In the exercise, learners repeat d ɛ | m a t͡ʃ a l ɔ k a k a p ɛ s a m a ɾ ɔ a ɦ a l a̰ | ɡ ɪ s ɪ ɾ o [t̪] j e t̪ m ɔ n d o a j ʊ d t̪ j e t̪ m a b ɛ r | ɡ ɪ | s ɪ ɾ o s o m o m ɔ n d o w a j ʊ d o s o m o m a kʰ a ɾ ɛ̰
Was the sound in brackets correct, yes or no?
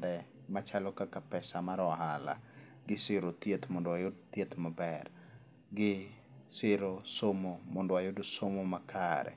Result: yes